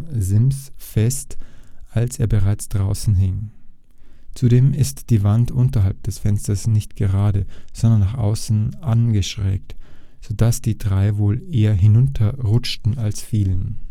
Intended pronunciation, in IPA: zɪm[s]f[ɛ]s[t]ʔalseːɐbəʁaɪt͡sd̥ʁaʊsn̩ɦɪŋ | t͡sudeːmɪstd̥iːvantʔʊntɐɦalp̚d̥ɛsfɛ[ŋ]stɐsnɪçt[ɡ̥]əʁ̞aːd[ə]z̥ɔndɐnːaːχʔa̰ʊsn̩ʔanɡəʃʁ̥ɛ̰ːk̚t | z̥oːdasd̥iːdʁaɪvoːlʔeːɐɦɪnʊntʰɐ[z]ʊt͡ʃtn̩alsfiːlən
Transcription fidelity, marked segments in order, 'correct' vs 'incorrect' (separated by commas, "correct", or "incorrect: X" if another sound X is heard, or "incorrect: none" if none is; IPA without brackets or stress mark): correct, correct, correct, incorrect: n, correct, correct, incorrect: ʁ